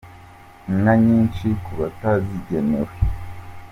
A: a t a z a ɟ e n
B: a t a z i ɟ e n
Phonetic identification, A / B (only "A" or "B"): B